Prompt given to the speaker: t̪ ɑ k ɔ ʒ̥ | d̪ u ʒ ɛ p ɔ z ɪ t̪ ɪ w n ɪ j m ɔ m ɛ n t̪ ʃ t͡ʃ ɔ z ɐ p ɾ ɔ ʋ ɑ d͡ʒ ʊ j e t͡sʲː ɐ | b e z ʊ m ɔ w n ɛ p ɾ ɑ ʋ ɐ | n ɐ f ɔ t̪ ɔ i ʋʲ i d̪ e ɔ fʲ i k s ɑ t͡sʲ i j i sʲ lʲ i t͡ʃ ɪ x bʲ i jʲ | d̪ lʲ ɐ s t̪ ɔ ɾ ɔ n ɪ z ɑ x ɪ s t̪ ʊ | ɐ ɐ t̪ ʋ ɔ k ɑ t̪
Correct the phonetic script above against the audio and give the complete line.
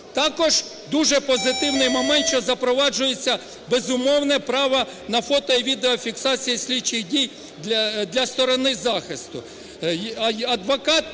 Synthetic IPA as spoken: t̪ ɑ k ɔ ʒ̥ | d̪ u ʒ ɛ p ɔ z ɪ t̪ ɪ w n ɪ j m ɔ m ɛ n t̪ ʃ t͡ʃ ɔ z ɐ p ɾ ɔ ʋ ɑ d͡ʒ ʊ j e t͡sʲː ɐ | b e z ʊ m ɔ w n ɛ p ɾ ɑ ʋ ɐ | n ɐ f ɔ t̪ ɔ i ʋʲ i d̪ e ɔ fʲ i k s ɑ t͡sʲ i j i sʲ lʲ i t͡ʃ ɪ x dʲ i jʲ | d̪ lʲ ɐ s t̪ ɔ ɾ ɔ n ɪ z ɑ x ɪ s t̪ ʊ | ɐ ɐ d̪ ʋ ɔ k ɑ t̪